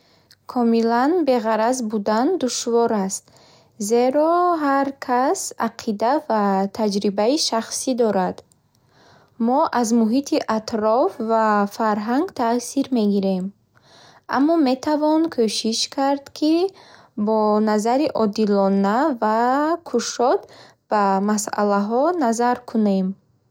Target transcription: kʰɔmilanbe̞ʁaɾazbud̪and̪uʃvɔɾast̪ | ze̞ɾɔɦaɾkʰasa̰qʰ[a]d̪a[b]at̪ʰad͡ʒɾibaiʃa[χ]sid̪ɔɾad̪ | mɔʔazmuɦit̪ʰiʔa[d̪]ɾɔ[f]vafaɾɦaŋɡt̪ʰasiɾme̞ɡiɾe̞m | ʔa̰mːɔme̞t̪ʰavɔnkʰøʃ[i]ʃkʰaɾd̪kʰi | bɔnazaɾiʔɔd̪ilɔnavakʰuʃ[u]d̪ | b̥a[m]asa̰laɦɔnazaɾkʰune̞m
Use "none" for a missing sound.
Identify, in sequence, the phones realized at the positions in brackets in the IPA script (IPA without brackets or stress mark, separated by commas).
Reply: i, v, χ, t̪, f, i, ɔ, m